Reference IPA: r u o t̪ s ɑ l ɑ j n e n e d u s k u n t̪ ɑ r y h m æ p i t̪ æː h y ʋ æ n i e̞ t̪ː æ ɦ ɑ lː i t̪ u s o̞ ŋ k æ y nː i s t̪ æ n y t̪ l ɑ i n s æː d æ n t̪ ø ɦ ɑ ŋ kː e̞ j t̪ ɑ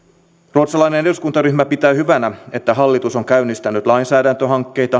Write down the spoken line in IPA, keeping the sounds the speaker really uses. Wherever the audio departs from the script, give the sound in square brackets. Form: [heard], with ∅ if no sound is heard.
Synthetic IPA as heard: r u o t̪ s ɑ l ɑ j n e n e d u s k u n t̪ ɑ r y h m æ p i t̪ æː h y ʋ æ n [æ] e̞ t̪ː æ ɦ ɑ lː i t̪ u s o̞ ŋ k æ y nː i s t̪ æ n y t̪ l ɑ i n s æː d æ n t̪ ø ɦ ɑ ŋ kː e̞ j t̪ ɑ

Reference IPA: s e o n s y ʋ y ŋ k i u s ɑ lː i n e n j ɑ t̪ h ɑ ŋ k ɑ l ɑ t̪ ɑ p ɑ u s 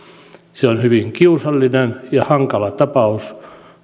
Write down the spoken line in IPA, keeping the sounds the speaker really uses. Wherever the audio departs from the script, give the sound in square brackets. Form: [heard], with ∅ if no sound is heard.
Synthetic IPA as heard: s e o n [h] y ʋ [i] ŋ k i u s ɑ lː i n e n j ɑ [∅] h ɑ ŋ k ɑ l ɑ t̪ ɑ p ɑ u s

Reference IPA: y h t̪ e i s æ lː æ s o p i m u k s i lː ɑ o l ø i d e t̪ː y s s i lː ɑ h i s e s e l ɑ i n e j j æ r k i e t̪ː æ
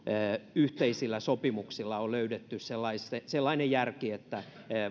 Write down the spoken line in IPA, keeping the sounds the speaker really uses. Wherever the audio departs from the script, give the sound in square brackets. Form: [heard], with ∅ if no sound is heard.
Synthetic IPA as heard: y h t̪ e i s [i] lː æ s o p i m u k s i lː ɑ o l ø [y] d e t̪ː y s s [e] lː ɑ [∅] i s e s e [lː] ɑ i n e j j æ r k i e t̪ː æ

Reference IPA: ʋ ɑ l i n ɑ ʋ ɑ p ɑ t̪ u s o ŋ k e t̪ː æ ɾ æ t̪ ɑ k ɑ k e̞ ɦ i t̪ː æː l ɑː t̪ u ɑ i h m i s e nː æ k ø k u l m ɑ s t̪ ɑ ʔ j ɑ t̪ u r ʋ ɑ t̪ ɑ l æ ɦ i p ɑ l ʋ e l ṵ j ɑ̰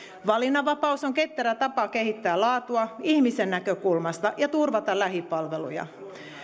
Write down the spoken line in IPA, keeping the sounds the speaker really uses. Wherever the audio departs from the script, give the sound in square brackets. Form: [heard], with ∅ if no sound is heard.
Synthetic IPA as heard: ʋ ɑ l i n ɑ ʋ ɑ p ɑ [∅] u s o ŋ k e t̪ː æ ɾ æ t̪ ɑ [p] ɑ k e̞ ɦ i t̪ː æː l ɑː t̪ u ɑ i h m i s e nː æ k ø k u l m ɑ s t̪ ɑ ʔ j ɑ t̪ u r ʋ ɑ t̪ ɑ l æ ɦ i p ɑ l ʋ e l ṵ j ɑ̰

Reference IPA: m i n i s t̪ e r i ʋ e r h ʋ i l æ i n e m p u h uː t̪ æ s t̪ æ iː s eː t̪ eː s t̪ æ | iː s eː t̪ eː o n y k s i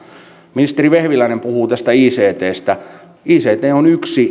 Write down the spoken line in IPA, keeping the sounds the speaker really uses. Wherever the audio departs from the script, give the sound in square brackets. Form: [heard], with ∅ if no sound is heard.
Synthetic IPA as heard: m i n i s t̪ e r i ʋ e [∅] h ʋ i l æ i n e m p u h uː t̪ æ s t̪ æ iː s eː t̪ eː s t̪ æ | iː s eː t̪ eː o n y k s i

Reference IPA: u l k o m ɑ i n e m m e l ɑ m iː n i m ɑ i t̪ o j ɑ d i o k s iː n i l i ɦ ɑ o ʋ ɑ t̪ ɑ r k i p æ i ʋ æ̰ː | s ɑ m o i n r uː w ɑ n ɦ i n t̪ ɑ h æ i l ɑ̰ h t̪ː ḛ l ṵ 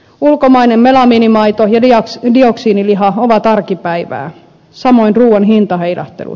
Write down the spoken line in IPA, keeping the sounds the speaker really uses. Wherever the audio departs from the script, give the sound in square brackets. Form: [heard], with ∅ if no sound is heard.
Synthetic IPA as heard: u l k o m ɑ i n e m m e l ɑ m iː n i m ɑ i t̪ o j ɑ d i o k s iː n i l i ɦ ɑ o ʋ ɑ t̪ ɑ r k i p æ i ʋ æ̰ː | s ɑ m o i n r uː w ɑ n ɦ i n t̪ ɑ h [e] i l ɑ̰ h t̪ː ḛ l ṵ

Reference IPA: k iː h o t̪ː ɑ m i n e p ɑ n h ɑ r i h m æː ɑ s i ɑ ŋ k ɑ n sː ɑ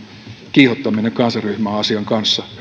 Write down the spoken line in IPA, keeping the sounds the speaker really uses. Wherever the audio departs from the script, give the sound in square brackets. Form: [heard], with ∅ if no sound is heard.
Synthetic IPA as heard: k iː h o t̪ː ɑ m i n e [k] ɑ n [s] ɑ r [y] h m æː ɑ s i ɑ ŋ k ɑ n sː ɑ

